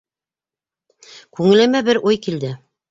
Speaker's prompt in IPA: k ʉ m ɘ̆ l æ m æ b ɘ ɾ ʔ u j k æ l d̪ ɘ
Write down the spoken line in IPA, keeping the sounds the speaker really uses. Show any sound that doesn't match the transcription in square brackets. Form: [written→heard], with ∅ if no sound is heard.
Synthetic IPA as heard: k ʉ [m→ŋ] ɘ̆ l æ m æ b ɘ ɾ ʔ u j k [æ→i] l d̪ ɘ